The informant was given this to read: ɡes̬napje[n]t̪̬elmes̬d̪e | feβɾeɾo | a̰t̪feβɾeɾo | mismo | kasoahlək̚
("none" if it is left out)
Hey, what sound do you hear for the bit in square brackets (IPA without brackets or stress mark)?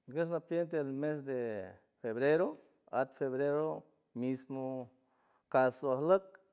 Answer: n